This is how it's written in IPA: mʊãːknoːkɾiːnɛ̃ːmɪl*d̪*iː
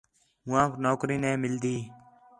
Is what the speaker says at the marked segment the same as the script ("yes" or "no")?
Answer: yes